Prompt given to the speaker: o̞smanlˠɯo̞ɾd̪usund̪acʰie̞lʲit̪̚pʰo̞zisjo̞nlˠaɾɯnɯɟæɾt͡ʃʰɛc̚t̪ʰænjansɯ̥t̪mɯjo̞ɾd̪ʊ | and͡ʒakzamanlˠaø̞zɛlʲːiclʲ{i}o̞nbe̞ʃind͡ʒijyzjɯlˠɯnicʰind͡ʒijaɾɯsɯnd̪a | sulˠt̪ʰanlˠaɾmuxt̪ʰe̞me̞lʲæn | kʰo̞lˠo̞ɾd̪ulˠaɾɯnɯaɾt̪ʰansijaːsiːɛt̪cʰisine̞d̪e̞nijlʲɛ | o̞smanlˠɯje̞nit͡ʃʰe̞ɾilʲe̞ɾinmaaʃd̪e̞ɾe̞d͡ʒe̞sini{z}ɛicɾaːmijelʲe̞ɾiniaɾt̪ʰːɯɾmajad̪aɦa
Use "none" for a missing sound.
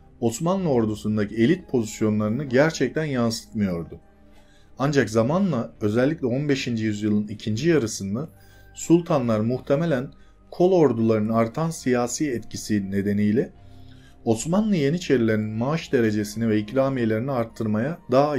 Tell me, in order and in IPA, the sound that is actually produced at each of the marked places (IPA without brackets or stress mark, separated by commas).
ɛ, v